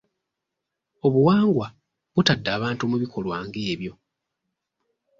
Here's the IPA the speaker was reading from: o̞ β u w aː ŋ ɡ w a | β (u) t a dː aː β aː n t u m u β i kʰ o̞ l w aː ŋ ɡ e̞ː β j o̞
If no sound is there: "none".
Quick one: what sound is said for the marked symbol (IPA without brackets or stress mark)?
u